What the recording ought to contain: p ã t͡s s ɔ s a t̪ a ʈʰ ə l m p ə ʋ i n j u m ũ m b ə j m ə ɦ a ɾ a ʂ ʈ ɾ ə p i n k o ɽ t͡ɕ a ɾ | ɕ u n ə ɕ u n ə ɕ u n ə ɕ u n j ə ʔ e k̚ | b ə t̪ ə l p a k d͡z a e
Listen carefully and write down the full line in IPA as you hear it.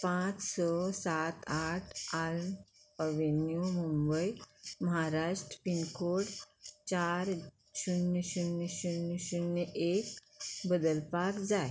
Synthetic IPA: p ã t͡s s ɔ s a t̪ a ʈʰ a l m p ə ʋ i n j u m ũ m b ə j m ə ɦ a ɾ a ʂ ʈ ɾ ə p i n k o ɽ t͡ɕ a ɾ | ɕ u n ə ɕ u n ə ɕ u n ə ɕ u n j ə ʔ e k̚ | b ə d̪ ə l p a k d͡z a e

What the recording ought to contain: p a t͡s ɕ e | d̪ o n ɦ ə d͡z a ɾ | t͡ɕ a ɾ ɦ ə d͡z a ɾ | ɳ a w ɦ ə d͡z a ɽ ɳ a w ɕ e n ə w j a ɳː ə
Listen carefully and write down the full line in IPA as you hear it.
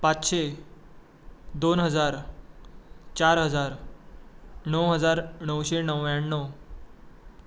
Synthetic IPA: p a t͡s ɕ e | d̪ o n ɦ ə d͡z a ɾ | t͡ɕ a ɾ ɦ ə d͡z a ɾ | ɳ ə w ɦ ə d͡z a ɾ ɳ ə w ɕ e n ə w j a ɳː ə

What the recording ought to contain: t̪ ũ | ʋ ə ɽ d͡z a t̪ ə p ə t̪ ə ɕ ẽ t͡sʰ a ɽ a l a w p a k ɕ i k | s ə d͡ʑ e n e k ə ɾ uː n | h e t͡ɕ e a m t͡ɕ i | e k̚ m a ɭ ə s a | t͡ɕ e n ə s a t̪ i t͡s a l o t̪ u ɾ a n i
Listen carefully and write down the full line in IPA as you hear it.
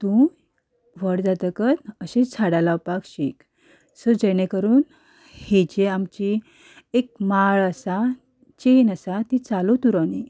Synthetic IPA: t̪ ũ | ʋ ə ɽ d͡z a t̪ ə k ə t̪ ə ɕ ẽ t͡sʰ a ɽ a l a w p a k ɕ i k | s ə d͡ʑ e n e k ə ɾ uː n | h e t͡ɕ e a m t͡ɕ i | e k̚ m a ɭ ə s a | t͡ɕ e n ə s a t̪ i t͡s a l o t̪ u ɾ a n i

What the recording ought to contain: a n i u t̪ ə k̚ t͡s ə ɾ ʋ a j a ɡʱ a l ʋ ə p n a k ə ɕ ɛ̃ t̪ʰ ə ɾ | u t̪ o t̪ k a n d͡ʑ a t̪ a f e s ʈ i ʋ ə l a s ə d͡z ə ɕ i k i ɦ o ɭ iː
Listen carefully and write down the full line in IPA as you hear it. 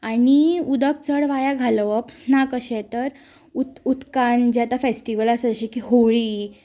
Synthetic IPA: a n i u d̪ ə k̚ t͡s ə ɽ ʋ a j a ɡʱ a l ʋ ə p n a k ə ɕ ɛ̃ t̪ ə ɾ | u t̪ u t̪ k a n d͡ʑ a t̪ a f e s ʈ i ʋ ə l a s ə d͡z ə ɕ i k i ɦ o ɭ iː

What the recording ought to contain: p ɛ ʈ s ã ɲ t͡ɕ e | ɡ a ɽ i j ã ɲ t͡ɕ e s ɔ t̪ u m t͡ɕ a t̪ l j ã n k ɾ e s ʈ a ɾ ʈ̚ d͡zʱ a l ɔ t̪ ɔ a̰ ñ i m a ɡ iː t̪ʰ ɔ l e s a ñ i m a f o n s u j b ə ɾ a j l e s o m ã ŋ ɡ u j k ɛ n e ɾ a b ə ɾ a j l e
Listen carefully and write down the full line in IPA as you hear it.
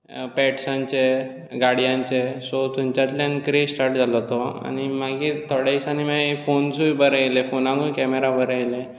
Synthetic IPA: p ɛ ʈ s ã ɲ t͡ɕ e | ɡ a ɽ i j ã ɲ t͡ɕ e s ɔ t̪ u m t͡ɕ a t̪ l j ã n k ɾ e s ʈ a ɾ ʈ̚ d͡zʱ a l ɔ t̪ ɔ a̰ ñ i m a ɡ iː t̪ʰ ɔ ɽ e s a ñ i m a f o n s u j b ə ɾ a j l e f o n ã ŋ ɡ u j k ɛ m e ɾ a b ə ɾ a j l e

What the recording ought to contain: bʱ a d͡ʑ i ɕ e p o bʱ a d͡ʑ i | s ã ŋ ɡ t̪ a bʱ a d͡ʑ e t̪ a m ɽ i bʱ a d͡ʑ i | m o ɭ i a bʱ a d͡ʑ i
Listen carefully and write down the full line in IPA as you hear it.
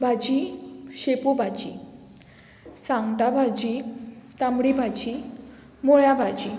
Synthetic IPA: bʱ a d͡ʑ i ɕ e p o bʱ a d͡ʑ i | s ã ŋ ɡ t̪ a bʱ a d͡ʑ i t̪ a m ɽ i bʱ a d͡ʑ i | m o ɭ j a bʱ a d͡ʑ i

